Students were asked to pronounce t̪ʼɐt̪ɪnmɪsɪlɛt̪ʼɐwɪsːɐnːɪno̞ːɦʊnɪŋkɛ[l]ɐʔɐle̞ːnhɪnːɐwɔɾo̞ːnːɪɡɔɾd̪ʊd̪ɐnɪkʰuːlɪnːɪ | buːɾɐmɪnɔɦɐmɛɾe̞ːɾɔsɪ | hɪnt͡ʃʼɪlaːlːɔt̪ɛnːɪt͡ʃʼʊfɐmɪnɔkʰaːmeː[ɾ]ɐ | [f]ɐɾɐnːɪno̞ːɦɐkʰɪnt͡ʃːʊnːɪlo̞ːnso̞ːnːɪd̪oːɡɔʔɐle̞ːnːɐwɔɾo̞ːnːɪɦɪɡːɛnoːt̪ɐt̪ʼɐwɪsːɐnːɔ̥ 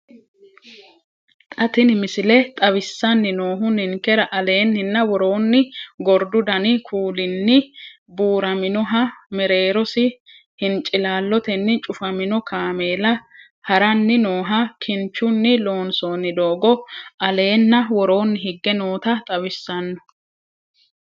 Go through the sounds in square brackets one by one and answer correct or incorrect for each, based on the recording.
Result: incorrect: ɾ, incorrect: l, incorrect: h

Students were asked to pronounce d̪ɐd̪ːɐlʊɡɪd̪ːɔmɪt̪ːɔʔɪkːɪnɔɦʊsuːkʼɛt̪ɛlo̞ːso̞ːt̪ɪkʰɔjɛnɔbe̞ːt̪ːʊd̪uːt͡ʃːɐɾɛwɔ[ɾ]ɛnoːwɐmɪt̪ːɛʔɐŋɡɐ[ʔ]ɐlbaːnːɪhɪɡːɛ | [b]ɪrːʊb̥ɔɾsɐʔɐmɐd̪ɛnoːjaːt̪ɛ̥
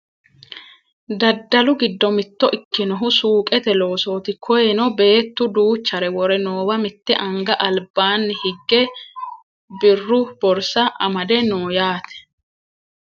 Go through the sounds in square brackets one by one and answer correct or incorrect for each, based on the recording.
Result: correct, correct, correct

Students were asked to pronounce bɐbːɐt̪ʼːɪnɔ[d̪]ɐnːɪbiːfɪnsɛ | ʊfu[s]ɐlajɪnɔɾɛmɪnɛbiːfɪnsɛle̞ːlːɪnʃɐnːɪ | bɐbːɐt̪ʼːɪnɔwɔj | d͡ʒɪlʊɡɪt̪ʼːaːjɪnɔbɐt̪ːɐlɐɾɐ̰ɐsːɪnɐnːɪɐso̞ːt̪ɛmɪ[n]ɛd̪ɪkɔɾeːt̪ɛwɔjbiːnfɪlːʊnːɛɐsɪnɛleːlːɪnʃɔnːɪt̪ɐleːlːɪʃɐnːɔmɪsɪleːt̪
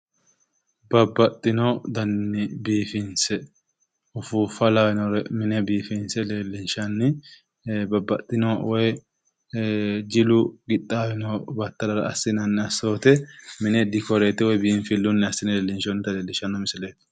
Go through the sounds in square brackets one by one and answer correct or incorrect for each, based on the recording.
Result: correct, incorrect: f, correct

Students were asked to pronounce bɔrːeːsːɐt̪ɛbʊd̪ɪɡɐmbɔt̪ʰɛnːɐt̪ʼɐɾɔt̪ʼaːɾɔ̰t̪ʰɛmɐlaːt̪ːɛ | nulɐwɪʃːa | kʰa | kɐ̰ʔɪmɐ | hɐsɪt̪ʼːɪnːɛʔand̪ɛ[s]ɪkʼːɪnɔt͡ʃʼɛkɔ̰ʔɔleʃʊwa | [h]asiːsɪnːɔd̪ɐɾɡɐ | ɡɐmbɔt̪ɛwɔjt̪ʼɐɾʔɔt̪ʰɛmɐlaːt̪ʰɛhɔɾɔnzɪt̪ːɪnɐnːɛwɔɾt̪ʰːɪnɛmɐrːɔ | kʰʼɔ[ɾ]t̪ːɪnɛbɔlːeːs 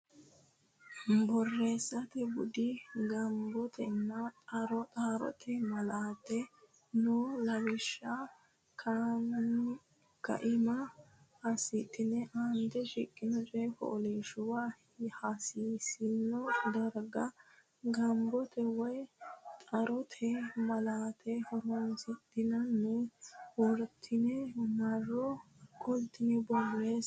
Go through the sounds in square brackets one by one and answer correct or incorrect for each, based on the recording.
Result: incorrect: ʃ, correct, incorrect: l

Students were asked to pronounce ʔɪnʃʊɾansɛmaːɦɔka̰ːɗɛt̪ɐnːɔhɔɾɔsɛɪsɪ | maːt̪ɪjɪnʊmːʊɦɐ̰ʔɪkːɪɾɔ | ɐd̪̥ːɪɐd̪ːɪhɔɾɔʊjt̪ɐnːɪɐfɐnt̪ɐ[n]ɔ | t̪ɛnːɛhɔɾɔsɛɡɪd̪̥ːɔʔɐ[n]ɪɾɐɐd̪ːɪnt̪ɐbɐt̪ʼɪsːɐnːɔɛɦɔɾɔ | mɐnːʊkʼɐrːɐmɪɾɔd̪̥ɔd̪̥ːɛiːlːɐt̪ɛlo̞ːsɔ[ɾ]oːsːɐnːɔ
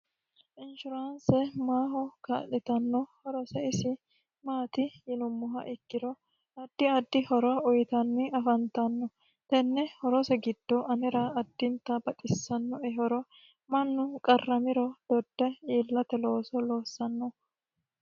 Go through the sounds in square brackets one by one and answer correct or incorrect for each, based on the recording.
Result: incorrect: nː, correct, incorrect: l

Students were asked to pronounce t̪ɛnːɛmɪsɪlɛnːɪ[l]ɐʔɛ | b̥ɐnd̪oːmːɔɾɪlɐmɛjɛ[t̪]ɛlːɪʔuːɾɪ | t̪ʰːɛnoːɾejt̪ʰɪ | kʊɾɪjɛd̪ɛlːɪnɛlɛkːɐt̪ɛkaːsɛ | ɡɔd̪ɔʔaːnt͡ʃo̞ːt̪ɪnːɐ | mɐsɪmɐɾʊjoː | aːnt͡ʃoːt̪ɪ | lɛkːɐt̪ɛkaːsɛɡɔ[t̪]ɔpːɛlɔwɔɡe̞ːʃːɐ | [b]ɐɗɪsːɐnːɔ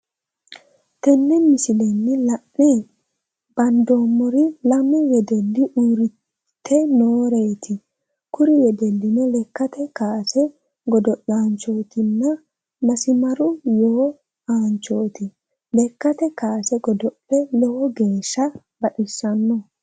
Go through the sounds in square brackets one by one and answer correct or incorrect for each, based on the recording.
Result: correct, incorrect: d̪, incorrect: d̪, correct

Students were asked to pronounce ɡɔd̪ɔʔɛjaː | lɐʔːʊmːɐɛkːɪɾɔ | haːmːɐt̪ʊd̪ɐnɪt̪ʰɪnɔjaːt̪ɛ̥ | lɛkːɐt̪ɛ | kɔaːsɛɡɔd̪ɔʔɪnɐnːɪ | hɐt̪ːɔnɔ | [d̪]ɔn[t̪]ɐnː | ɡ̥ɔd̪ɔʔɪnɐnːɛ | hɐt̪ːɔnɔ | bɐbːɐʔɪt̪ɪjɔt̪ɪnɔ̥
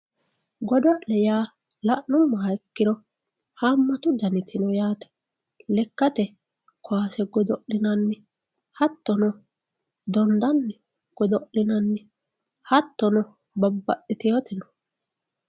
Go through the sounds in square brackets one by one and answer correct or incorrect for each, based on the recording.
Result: correct, incorrect: d̪

